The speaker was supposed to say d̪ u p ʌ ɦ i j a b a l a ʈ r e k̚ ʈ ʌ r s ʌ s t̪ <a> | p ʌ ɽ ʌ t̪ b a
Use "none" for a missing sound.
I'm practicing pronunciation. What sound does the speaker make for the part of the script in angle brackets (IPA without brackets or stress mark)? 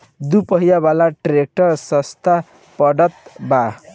a